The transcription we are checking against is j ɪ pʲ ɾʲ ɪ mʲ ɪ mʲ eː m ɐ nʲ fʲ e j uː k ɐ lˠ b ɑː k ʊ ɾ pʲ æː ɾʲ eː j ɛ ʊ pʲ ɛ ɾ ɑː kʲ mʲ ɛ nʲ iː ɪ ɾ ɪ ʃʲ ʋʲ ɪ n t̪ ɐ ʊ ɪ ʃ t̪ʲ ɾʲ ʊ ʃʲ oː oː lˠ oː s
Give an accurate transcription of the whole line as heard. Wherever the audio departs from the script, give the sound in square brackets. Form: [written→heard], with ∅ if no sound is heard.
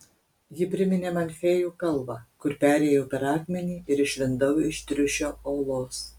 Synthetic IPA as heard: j ɪ pʲ ɾʲ ɪ mʲ ɪ [mʲ→nʲ] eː m ɐ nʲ fʲ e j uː k ɐ lˠ b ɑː k ʊ ɾ pʲ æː ɾʲ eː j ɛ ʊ pʲ ɛ ɾ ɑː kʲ mʲ ɛ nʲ iː ɪ ɾ ɪ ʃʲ ʋʲ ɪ n [t̪→d̪] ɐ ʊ ɪ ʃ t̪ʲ ɾʲ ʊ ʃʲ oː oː lˠ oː s